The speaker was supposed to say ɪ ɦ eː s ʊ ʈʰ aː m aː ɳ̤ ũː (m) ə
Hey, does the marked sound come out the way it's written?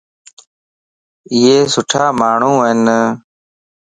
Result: no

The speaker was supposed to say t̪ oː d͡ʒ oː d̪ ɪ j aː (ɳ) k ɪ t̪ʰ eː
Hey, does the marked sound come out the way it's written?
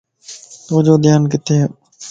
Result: no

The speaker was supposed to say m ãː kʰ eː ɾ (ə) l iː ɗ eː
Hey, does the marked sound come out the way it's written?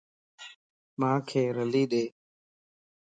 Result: yes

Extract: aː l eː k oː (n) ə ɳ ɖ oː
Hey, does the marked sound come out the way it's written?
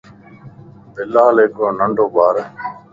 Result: yes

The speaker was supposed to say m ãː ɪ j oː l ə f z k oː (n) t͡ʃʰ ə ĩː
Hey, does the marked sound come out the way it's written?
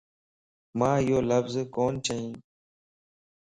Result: yes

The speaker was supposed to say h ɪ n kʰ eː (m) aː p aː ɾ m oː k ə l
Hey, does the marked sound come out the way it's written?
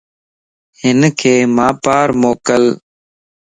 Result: yes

